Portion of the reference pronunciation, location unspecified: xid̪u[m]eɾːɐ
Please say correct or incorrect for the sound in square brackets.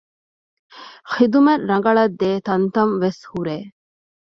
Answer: correct